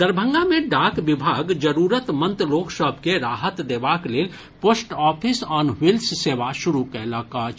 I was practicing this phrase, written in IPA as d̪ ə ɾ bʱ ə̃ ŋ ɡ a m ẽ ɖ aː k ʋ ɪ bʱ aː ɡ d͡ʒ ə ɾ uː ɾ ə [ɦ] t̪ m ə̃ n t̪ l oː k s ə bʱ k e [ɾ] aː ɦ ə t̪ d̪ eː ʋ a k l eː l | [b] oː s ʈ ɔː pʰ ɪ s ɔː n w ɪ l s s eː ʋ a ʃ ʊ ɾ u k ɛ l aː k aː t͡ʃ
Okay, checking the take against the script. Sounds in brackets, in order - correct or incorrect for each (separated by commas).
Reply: incorrect, correct, incorrect